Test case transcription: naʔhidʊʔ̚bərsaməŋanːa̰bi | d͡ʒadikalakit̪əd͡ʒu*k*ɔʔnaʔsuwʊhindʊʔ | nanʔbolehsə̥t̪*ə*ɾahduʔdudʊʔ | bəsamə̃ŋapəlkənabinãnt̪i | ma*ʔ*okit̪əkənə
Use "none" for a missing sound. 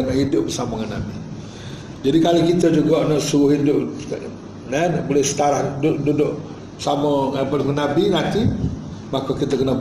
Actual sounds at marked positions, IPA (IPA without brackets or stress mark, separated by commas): ɡ, a, k